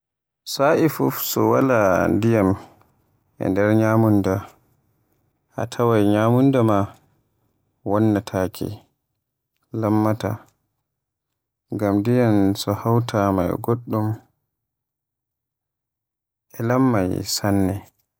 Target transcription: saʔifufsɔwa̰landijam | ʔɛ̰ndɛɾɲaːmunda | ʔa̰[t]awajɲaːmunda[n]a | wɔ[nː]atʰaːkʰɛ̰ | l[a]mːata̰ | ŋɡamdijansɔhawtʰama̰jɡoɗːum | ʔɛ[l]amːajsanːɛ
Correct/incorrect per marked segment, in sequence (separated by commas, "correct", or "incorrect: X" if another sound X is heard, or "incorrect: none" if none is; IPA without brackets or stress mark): incorrect: tʰ, incorrect: m, correct, correct, correct